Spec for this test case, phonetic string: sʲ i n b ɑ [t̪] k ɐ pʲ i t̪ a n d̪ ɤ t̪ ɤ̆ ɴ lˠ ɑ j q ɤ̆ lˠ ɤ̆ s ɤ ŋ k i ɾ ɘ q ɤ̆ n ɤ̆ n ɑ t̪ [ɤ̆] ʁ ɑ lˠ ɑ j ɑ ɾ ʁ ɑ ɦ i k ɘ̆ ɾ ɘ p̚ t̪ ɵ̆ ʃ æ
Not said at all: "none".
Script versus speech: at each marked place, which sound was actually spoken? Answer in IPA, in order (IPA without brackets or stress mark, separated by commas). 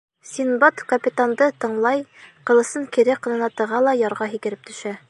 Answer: t̪, ɤ̆